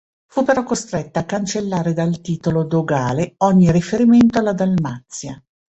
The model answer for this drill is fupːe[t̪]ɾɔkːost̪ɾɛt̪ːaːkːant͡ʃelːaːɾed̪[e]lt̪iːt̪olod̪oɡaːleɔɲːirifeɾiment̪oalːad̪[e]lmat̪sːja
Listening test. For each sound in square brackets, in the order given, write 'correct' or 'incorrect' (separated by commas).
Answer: incorrect, incorrect, incorrect